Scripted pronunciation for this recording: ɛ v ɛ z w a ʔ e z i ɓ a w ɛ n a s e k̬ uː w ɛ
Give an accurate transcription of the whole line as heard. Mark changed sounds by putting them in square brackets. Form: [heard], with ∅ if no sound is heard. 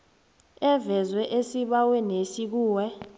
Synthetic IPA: ɛ v ɛ z w [ɛ] ʔ e [s] i ɓ a w ɛ n [e] s [i] k̬ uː w ɛ